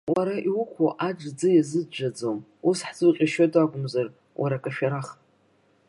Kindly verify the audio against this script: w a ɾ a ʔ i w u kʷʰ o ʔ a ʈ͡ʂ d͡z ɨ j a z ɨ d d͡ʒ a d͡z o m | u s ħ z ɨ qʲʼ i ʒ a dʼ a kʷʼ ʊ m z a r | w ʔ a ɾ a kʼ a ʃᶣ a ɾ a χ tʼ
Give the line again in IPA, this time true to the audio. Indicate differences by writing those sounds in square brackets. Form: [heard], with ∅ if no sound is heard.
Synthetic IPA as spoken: w a ɾ a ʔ i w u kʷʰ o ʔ a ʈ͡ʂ d͡z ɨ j a z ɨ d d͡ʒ a d͡z o m | u s ħ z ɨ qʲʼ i [ʃ] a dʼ a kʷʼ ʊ m z a r | w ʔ a ɾ a kʼ a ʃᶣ a ɾ a χ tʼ